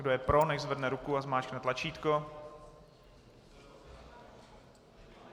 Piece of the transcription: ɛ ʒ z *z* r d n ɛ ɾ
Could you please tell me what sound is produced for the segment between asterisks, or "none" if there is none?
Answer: v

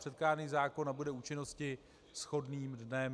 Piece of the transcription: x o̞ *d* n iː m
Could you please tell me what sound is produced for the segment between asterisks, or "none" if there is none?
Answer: d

